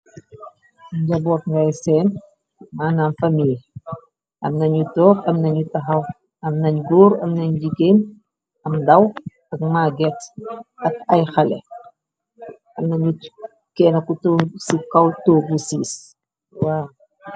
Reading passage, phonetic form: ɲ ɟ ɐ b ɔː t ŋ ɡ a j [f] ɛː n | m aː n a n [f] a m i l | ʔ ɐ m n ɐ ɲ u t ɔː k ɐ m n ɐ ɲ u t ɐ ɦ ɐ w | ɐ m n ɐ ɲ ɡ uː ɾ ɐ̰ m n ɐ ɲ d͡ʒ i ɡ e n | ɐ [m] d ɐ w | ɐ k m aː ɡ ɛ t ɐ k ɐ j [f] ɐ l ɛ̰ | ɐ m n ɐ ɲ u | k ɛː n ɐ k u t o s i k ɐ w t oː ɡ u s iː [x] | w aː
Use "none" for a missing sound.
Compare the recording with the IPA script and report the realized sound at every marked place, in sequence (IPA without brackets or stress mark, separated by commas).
s, f, m, x, s